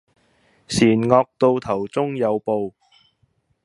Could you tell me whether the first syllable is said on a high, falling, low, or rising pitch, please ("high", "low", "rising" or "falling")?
low